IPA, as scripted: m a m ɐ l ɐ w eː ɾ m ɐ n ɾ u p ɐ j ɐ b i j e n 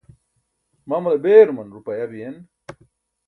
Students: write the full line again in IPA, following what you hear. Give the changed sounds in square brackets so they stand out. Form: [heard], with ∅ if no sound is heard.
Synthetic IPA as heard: m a m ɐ l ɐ [b] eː ɾ m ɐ n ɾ u p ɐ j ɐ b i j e n